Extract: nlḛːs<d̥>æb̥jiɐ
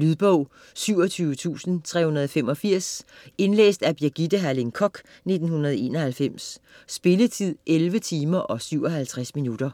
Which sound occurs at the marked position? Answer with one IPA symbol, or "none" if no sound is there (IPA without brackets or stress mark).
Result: d̥